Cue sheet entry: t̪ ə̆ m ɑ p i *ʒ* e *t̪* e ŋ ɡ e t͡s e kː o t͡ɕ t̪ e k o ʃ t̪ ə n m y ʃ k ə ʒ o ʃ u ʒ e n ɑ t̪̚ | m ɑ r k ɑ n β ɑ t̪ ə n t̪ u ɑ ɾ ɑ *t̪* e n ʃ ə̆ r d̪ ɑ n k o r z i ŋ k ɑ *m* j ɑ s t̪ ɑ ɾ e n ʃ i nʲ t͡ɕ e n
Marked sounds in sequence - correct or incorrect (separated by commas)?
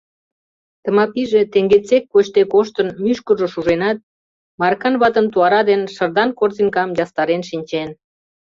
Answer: correct, correct, incorrect, correct